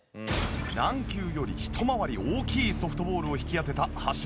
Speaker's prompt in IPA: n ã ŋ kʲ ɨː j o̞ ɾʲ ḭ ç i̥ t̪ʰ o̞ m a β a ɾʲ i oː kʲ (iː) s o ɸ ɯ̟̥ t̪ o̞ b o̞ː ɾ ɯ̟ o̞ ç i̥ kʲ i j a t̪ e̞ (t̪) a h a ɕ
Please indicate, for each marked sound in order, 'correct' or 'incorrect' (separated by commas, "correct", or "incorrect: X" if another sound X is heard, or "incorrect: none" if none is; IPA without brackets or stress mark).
correct, correct